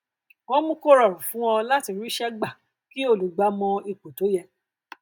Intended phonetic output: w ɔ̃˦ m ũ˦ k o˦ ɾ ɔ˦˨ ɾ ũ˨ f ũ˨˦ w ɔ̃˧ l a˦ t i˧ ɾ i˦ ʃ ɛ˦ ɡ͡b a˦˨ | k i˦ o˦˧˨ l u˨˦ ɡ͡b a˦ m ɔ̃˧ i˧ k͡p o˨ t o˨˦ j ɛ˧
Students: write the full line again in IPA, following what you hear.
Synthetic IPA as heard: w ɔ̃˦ m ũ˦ k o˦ ɾ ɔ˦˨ ɾ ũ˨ f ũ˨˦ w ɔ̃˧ l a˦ t i˧ ɾ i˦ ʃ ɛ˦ ɡ͡b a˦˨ | k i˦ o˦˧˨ l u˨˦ ɡ͡b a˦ m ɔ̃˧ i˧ k͡p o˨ t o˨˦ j ɛ˧